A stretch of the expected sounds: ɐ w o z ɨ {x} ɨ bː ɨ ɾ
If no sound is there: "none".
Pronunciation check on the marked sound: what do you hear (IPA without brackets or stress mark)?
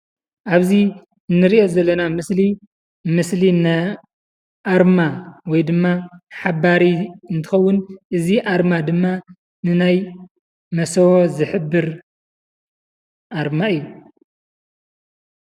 ħ